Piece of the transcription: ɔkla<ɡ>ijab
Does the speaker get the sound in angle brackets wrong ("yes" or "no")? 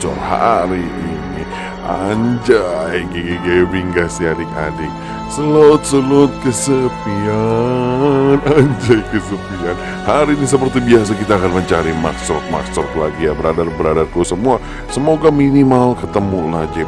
no